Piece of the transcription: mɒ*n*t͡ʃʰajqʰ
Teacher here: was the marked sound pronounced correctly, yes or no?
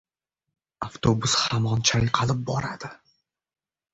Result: yes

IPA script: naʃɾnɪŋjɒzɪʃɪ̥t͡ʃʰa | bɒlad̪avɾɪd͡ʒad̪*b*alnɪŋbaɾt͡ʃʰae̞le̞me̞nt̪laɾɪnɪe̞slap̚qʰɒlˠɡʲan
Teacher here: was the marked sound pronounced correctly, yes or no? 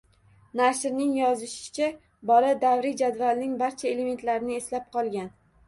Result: no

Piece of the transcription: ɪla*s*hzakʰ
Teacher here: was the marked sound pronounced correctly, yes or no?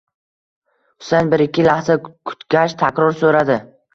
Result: no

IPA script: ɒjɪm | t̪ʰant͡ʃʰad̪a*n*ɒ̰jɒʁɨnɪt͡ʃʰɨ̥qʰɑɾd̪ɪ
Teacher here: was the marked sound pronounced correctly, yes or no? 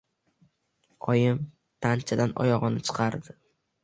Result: yes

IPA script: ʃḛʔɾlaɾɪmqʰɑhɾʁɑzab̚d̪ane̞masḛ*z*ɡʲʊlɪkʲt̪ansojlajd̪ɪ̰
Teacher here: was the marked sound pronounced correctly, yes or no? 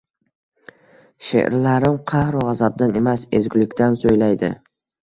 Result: yes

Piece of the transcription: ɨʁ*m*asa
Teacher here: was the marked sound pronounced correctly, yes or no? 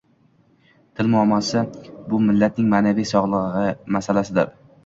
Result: yes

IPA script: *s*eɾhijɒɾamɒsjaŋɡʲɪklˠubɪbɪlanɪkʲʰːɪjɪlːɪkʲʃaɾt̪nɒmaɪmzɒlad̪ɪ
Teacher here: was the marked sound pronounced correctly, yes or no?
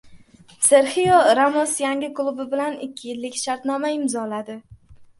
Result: yes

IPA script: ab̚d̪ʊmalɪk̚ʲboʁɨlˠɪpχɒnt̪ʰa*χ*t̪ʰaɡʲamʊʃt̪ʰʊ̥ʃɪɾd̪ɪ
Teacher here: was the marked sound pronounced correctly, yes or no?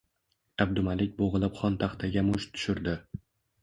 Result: yes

